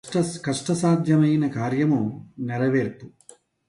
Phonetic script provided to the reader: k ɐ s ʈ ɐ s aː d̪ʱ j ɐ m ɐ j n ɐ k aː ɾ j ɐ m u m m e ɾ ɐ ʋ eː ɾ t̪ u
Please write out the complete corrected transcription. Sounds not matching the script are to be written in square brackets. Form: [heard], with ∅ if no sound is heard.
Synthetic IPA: k ɐ [ʂ] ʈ ɐ s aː d̪ʱ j ɐ m ɐ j n ɐ k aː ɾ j ɐ m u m [n] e ɾ ɐ ʋ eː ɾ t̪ u